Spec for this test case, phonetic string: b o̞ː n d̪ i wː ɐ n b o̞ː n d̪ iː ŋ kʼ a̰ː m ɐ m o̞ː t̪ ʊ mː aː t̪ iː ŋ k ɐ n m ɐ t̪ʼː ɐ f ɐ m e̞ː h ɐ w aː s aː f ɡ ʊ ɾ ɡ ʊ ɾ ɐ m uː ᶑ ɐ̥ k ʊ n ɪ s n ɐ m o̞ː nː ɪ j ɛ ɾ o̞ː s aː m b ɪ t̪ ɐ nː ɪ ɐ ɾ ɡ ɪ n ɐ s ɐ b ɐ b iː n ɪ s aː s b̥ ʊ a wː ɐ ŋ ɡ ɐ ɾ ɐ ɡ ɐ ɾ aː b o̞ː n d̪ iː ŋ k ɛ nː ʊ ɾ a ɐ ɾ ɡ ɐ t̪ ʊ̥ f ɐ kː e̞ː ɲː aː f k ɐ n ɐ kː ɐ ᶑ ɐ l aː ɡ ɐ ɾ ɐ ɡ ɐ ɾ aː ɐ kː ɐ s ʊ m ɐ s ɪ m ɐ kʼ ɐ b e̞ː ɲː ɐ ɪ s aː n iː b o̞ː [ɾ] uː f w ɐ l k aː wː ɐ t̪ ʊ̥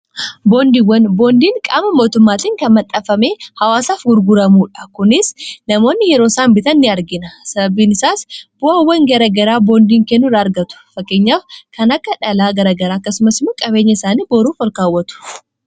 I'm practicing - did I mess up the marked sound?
no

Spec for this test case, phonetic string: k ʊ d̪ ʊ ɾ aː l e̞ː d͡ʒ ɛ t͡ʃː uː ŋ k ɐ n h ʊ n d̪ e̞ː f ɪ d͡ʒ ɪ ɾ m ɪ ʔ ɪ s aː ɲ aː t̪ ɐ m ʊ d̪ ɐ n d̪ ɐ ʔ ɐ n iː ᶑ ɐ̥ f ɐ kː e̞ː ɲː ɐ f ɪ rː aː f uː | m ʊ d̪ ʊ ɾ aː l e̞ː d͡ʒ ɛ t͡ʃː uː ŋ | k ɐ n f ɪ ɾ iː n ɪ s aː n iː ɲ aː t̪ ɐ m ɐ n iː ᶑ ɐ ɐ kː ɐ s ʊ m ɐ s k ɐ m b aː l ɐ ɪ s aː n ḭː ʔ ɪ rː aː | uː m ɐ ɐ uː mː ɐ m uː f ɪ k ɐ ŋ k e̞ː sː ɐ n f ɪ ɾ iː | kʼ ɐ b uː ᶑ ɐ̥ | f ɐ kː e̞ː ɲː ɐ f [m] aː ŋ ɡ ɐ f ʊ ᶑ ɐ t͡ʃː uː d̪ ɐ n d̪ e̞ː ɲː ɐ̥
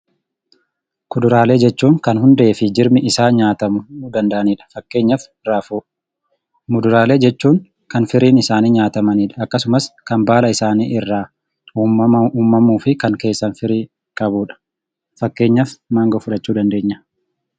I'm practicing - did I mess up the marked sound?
no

